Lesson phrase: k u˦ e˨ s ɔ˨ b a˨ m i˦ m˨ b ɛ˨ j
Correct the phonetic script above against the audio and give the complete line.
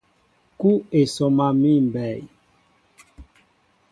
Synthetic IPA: k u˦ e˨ s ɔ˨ m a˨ m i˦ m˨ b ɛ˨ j